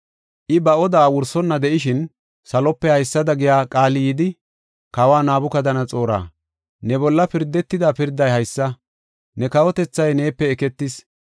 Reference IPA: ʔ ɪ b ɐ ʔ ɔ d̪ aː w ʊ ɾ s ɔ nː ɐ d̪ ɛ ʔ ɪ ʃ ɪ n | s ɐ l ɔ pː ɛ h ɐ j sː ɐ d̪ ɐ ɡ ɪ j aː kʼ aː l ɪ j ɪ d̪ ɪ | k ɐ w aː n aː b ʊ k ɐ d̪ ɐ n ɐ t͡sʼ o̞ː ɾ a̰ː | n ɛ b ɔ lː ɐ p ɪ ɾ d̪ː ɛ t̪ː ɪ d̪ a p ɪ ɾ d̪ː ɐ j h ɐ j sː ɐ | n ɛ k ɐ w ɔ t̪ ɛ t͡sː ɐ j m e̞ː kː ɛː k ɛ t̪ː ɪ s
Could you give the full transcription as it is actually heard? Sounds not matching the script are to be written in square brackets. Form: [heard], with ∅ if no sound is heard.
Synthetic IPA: ʔ ɪ b ɐ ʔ ɔ d̪ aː w ʊ ɾ s ɔ nː ɐ d̪ ɛ ʔ ɪ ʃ ɪ n | s ɐ l ɔ pː ɛ h ɐ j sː ɐ d̪ ɐ ɡ ɪ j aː kʼ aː l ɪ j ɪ d̪ ɪ | k ɐ w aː n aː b ʊ k ɐ d̪ ɐ n ɐ t͡sʼ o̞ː ɾ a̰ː | n ɛ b ɔ lː ɐ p ɪ ɾ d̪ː ɛ t̪ː ɪ d̪ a p ɪ ɾ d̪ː ɐ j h ɐ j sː ɐ | n ɛ k ɐ w ɔ t̪ ɛ t͡sː ɐ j [n] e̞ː [pː] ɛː k ɛ t̪ː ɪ s